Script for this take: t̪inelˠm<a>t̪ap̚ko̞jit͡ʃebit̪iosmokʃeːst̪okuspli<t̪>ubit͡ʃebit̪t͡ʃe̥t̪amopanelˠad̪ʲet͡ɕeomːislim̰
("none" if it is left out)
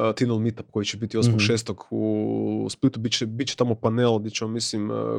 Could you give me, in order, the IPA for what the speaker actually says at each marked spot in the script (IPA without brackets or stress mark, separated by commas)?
i, t̪